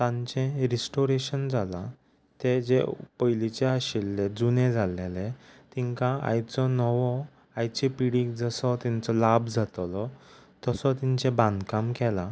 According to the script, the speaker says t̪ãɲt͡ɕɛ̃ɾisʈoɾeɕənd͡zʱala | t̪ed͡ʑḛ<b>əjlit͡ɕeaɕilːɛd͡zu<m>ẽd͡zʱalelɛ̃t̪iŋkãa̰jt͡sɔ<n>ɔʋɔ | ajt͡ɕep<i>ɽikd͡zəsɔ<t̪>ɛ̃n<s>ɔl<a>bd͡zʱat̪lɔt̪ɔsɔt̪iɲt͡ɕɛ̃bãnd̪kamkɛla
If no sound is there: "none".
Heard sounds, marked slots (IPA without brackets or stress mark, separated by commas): p, n, n, i, t̪, t͡s, a